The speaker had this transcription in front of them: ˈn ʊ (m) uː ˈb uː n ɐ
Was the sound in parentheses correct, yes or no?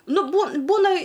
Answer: no